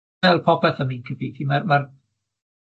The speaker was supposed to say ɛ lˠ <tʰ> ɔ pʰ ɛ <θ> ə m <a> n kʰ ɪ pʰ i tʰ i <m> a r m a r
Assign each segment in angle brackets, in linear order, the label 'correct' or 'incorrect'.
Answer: incorrect: pʰ, correct, incorrect: i, correct

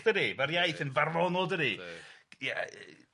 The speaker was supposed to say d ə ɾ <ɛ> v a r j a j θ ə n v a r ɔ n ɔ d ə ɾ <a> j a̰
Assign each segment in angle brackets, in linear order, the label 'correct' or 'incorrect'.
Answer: incorrect: i, incorrect: i

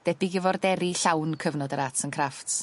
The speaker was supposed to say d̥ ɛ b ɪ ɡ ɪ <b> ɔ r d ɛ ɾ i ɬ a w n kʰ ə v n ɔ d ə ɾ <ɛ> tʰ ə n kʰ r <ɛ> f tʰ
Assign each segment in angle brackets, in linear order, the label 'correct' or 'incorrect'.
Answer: incorrect: v, incorrect: a, incorrect: a

